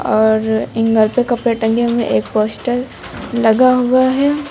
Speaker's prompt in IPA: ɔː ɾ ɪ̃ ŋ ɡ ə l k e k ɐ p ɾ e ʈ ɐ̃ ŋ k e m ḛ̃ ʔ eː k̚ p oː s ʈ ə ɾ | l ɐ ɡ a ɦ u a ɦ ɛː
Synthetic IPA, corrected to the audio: ɔː ɾ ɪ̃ ŋ ɡ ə l p e k ɐ p ɾ e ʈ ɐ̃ ŋ ɡ e m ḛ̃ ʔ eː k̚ p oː s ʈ ə ɾ | l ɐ ɡ a ɦ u a ɦ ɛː